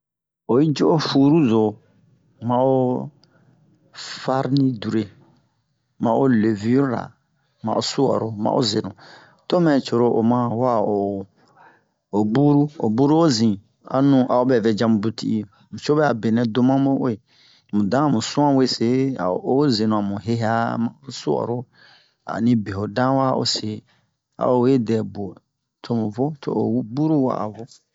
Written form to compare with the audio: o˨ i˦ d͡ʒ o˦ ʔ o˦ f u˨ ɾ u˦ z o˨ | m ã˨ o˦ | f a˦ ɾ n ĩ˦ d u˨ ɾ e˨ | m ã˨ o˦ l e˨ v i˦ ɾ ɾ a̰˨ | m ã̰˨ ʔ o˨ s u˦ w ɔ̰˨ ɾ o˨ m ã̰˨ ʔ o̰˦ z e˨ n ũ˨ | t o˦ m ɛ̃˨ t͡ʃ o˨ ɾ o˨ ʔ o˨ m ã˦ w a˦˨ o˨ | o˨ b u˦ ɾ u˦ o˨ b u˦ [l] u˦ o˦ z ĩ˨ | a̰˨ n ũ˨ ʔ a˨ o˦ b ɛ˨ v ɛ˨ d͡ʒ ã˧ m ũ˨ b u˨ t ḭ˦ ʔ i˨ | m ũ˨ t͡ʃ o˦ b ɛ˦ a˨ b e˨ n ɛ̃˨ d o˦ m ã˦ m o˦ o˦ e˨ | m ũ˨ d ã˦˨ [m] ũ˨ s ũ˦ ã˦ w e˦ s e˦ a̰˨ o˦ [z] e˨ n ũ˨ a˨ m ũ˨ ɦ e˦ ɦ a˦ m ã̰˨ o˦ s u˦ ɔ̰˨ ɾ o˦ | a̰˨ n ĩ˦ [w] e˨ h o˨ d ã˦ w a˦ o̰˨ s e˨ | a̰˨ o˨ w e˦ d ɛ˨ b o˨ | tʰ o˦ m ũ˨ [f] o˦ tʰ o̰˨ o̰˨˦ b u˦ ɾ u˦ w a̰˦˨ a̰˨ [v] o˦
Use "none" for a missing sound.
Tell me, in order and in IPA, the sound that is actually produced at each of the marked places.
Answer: ɾ, m, z, b, v, v

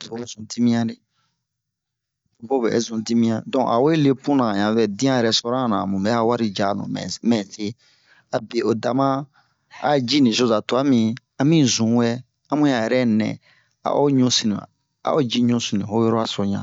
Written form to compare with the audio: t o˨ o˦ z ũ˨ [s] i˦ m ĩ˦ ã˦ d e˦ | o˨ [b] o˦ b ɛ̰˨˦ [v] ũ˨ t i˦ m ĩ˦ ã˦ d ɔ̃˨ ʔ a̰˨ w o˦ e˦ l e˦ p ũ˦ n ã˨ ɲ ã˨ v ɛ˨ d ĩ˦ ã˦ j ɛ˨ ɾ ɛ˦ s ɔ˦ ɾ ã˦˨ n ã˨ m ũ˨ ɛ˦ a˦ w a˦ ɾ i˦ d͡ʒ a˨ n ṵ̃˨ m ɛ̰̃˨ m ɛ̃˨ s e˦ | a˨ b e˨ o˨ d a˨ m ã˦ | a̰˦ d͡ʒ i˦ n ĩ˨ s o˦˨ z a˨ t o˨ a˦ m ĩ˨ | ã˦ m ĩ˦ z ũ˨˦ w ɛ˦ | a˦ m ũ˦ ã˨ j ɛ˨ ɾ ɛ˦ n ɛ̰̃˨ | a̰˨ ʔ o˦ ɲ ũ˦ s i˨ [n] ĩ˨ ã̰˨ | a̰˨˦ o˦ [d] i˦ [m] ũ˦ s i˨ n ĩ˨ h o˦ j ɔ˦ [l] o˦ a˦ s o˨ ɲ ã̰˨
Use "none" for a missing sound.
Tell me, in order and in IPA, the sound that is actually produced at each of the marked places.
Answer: t, b, z, n, d͡ʒ, ɲ, ɾ

